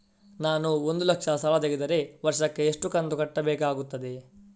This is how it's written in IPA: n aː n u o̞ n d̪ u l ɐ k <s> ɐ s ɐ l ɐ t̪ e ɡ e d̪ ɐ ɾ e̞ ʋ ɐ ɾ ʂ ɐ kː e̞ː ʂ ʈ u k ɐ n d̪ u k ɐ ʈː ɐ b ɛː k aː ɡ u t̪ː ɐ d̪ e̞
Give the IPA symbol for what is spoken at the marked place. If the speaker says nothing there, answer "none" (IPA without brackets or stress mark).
ʂ